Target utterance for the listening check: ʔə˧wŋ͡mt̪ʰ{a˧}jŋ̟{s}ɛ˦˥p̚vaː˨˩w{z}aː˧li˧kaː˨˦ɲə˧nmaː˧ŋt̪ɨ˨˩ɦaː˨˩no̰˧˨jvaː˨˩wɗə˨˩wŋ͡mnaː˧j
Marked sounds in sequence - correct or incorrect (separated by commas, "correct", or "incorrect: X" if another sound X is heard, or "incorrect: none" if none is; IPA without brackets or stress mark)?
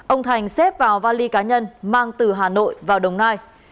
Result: incorrect: a˨˩, correct, incorrect: v